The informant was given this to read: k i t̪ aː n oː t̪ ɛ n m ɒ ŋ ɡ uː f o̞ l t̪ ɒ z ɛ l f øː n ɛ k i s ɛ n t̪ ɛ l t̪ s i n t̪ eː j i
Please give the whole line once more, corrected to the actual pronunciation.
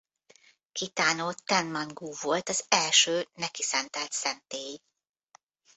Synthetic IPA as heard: k i t̪ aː n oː t̪ ɛ n m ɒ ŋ ɡ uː v o̞ l t̪ ɒ z ɛ l ʃ øː n ɛ k i s ɛ n t̪ ɛ l t̪ s ɛ n t̪ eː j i